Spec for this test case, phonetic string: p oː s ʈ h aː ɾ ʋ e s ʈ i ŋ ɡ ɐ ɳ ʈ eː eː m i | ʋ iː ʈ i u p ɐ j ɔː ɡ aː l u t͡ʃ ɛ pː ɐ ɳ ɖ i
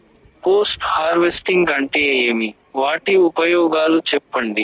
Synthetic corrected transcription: p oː s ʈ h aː ɾ ʋ e s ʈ i ŋ ɡ ɐ ɳ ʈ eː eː m i | ʋ aː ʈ i u p ɐ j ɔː ɡ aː l u t͡ʃ ɛ pː ɐ ɳ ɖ i

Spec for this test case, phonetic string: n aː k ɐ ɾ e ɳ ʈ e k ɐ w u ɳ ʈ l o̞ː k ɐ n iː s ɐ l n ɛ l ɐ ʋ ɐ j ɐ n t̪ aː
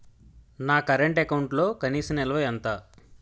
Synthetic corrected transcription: n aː k ɐ ɾ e ɳ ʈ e k ɐ w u ɳ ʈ l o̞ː k ɐ n iː s ɐ n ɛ l ɐ ʋ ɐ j ɐ n t̪ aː

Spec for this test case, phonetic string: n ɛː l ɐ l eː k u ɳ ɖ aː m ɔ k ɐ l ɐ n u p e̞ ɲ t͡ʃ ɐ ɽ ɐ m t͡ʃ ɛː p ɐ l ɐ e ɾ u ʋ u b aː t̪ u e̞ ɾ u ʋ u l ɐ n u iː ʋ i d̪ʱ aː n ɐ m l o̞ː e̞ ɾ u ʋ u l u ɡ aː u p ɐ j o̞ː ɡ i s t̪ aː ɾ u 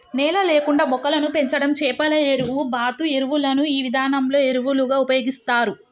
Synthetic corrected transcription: n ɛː l ɐ l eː k u ɳ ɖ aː m ɔ k ɐ l ɐ n u p e̞ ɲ t͡ʃ ɐ ɽ ɐ m t͡ʃ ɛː p ɐ l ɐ e ɾ u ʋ u b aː t̪ u e̞ ɾ u ʋ u l ɐ n u iː ʋ i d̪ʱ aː n ɐ m l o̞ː e̞ ɾ u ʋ u l u ɡ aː u p ɐ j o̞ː ɡ i s t̪ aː ɾ u

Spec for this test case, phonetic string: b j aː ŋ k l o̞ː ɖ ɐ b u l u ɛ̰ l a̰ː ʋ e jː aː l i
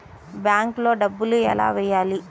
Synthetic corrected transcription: b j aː ŋ k l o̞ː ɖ ɐ bː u l u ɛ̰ l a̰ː ʋ ɛ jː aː l i

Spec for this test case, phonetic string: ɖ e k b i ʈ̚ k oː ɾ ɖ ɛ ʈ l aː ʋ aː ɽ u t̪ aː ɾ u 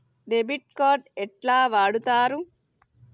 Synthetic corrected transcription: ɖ e b i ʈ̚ k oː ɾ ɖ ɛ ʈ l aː ʋ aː ɽ u t̪ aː ɾ u

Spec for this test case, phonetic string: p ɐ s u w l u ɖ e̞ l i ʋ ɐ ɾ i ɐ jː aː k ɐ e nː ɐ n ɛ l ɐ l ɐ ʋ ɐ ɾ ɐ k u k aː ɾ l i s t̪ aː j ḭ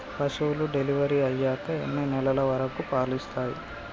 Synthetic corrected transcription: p ɐ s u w l u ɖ e̞ l i ʋ ɐ ɾ i ɐ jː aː k ɐ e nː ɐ n ɛ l ɐ l ɐ ʋ ɐ ɾ ɐ k u p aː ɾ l i s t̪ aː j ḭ

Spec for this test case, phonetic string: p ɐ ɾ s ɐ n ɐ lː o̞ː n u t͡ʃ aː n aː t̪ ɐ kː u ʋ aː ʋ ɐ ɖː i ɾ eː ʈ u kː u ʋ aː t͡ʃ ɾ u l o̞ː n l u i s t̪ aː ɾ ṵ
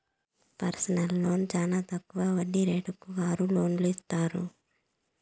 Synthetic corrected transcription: p ɐ ɾ s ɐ n ɐ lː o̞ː n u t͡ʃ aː n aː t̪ ɐ kː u ʋ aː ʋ ɐ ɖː i ɾ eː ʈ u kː u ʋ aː ɾ u l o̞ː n l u i s t̪ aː ɾ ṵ

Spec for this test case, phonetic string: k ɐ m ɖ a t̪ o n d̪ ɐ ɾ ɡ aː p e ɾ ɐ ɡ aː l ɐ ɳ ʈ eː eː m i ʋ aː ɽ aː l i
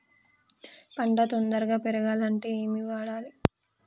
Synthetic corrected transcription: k ɐ ɳ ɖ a t̪ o n d̪ ɐ ɾ ɡ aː p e ɾ ɐ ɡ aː l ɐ ɳ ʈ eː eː m i ʋ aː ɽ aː l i

